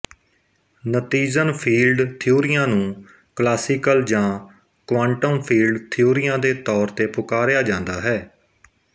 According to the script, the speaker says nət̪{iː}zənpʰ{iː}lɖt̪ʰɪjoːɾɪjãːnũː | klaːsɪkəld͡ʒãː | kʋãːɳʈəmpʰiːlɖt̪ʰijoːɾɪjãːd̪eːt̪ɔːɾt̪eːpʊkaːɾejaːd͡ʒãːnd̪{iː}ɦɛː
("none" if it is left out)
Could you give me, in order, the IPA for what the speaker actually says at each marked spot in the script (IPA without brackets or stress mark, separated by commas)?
iː, iː, aː